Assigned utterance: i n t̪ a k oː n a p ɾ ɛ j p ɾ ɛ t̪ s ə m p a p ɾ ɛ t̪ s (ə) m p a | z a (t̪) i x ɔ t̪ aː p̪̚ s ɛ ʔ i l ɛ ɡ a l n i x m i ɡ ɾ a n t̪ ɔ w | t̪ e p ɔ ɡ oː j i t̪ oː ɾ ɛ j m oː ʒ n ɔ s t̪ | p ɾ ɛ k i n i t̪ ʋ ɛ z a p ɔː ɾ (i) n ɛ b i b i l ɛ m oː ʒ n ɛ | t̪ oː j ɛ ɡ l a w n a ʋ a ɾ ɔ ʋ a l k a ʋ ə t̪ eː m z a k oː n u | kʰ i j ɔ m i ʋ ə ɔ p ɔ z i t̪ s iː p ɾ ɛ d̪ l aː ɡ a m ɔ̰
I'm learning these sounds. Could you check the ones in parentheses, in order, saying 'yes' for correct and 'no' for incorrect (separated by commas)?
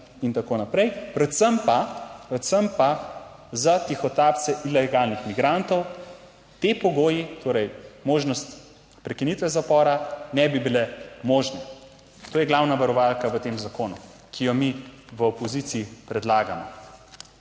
yes, yes, no